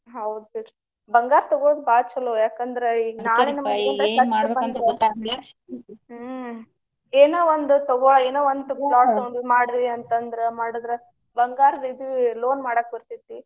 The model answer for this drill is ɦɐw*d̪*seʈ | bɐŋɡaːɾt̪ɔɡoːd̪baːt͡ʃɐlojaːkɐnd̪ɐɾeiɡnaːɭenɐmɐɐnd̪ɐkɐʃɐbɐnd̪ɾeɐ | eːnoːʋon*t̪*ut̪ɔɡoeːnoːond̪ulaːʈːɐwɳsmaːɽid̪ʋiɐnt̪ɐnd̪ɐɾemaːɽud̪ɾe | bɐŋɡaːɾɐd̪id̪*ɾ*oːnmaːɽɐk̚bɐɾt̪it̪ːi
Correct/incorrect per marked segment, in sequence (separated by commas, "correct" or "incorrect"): correct, incorrect, incorrect